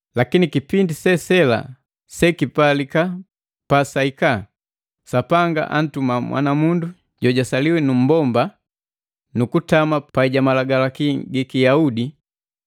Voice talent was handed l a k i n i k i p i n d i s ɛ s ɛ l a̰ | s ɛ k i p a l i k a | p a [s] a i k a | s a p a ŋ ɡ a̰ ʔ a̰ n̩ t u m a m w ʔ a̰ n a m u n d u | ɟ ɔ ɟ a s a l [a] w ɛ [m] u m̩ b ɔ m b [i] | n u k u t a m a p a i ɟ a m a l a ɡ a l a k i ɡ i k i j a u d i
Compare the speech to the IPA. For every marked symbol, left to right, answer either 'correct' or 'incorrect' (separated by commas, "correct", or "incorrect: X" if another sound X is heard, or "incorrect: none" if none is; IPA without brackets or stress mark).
correct, incorrect: i, incorrect: n, incorrect: a